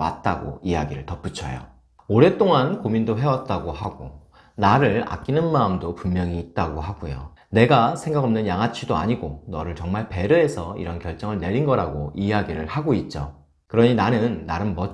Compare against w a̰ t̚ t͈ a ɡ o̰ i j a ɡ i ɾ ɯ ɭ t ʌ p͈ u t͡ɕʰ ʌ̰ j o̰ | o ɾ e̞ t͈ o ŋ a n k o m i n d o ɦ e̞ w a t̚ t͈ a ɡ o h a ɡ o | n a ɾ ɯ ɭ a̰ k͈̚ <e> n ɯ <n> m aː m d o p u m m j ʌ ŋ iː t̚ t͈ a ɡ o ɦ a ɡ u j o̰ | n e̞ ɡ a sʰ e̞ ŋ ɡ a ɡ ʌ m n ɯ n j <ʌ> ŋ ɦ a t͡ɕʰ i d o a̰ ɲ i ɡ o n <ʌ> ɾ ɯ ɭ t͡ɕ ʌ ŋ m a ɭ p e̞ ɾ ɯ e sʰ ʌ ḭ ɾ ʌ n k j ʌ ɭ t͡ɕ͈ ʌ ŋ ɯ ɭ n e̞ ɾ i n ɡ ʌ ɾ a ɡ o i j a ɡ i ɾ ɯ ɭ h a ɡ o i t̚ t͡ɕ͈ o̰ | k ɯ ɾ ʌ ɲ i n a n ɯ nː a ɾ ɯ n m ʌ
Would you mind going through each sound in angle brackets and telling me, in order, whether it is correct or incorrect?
incorrect: i, correct, incorrect: a, correct

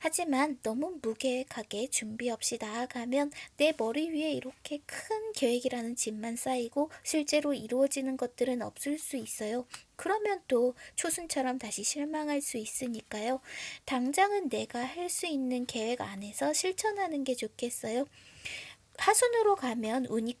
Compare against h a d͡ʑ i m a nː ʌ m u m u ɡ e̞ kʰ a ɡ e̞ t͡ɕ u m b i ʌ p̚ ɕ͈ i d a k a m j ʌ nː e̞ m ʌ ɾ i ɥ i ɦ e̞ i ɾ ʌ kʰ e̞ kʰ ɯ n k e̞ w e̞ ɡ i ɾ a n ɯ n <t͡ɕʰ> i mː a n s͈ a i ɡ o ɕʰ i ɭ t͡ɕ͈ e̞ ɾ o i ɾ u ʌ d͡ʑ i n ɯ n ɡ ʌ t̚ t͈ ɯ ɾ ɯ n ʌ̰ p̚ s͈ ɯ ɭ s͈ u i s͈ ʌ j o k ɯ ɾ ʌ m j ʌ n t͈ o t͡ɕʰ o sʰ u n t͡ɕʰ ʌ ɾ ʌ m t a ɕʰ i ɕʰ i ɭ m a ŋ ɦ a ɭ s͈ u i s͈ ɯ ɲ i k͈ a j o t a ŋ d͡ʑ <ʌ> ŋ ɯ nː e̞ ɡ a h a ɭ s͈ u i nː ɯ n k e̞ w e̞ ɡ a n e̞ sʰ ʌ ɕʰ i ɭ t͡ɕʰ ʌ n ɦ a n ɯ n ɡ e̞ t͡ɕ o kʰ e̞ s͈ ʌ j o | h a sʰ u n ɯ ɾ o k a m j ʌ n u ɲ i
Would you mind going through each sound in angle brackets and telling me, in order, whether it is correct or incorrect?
incorrect: t͡ɕ, incorrect: a

